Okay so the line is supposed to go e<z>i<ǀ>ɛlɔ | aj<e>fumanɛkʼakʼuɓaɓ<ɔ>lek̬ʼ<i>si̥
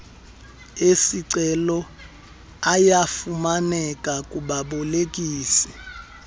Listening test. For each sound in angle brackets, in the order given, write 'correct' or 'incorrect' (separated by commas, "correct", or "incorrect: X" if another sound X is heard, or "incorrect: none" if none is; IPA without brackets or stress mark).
incorrect: s, correct, incorrect: a, correct, incorrect: iː